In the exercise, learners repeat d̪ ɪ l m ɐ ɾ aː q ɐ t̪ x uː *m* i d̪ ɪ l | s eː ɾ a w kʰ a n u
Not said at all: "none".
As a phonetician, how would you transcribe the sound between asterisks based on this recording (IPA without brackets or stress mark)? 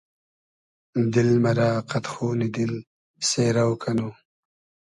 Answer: n